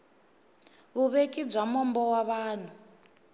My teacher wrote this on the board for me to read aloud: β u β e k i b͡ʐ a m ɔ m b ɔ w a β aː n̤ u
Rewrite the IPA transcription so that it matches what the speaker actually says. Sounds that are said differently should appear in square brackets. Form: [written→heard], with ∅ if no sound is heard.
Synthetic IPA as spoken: β u β e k i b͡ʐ a m ɔ m b ɔ w a β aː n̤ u